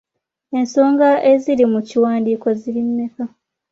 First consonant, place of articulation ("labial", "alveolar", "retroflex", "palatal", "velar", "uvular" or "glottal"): alveolar